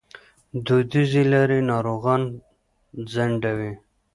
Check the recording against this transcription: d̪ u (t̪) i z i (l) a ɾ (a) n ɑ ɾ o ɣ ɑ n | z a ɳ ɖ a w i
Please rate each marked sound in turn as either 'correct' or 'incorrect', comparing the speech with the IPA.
incorrect: d̪, correct, incorrect: i

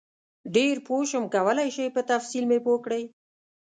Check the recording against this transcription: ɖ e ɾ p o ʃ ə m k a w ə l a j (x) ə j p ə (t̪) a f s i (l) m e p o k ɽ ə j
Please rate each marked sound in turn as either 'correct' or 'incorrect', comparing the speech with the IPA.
incorrect: ʃ, correct, correct

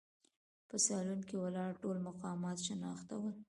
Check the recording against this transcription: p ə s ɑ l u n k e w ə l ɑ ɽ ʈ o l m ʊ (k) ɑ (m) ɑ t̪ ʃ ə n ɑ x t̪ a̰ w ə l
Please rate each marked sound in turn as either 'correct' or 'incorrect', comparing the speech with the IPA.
incorrect: q, correct

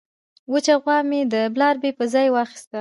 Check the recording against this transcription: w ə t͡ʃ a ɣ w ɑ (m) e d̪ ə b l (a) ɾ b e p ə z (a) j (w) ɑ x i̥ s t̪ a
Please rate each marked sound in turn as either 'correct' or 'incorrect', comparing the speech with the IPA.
correct, incorrect: ɑ, incorrect: ɑ, correct

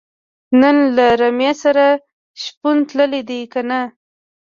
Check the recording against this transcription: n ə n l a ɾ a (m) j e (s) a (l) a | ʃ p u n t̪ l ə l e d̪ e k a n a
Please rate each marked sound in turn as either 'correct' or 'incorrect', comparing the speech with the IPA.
correct, correct, incorrect: ɾ

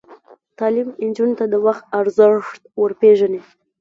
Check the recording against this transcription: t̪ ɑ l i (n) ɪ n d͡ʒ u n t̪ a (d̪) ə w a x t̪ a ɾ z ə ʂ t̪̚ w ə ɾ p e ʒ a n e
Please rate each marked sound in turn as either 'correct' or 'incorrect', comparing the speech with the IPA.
incorrect: m, correct

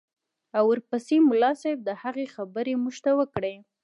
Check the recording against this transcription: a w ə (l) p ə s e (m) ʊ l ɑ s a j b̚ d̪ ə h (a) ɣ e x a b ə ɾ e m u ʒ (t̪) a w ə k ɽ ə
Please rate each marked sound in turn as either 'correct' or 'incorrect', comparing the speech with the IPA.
incorrect: ɾ, correct, correct, correct

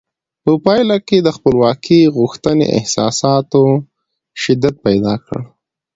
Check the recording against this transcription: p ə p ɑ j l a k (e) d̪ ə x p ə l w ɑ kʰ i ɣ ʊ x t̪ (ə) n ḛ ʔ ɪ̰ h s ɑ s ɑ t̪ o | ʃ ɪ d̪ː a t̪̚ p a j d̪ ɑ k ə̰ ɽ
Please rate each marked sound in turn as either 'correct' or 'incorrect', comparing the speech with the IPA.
correct, correct

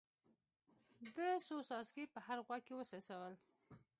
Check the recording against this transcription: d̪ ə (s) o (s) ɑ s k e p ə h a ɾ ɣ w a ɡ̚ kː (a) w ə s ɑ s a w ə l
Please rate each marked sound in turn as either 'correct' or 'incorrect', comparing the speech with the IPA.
correct, correct, incorrect: e

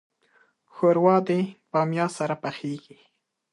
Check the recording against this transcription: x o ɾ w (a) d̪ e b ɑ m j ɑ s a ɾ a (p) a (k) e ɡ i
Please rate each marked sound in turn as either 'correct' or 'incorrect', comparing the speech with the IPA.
incorrect: ɑ, correct, incorrect: x

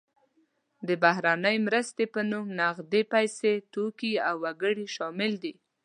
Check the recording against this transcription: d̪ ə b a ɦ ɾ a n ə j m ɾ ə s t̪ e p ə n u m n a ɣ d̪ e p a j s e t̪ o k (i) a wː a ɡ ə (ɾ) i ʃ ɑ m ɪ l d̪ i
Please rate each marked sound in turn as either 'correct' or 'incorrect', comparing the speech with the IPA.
correct, incorrect: ɽ

